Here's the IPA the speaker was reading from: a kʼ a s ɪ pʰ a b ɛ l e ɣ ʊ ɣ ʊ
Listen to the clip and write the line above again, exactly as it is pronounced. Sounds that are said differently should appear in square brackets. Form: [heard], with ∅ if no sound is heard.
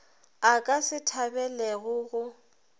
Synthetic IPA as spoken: a kʼ a s ɪ [tʰ] a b ɛ l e ɣ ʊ ɣ ʊ